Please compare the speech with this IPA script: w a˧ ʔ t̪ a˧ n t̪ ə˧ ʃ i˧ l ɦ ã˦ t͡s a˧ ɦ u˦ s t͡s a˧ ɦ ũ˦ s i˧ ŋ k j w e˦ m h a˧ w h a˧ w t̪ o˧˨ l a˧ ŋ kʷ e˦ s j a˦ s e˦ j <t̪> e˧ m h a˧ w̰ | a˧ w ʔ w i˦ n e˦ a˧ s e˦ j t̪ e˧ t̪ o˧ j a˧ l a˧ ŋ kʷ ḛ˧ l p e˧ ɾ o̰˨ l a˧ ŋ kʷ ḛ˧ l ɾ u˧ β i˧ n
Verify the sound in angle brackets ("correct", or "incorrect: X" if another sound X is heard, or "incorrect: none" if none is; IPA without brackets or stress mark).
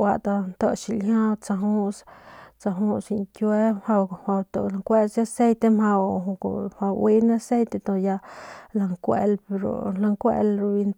correct